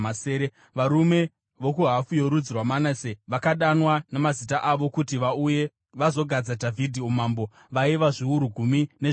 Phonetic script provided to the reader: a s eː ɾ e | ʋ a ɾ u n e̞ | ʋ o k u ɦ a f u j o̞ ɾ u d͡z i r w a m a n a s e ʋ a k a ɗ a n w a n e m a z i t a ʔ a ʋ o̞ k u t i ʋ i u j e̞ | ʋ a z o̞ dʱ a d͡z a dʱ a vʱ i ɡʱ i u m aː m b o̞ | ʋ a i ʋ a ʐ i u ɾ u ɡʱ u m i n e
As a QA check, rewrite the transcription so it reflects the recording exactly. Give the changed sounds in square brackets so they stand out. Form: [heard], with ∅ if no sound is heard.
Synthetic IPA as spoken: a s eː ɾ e | ʋ a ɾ u [m] e̞ | ʋ o k u ɦ a f u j o̞ ɾ u d͡z i r w a m a n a s e ʋ a k a ɗ a n w a n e m a z i t a ʔ a ʋ o̞ k u t i ʋ [a] u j e̞ | ʋ a z o̞ [ɡʱ] a d͡z a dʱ a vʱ i [dʱ] i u m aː m b o̞ | ʋ a i ʋ a ʐ i u ɾ u ɡʱ u m i n e